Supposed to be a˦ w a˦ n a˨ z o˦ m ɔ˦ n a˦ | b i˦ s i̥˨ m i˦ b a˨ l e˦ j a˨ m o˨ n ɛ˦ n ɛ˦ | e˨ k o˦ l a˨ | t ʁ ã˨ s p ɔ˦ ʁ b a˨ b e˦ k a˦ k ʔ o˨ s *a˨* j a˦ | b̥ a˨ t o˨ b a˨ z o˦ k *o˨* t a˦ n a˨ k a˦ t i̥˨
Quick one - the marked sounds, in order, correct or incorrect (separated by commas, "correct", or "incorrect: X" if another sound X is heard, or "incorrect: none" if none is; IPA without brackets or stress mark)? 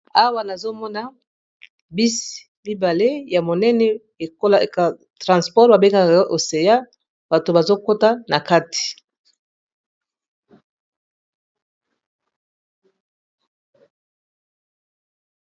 incorrect: e˨, incorrect: o˦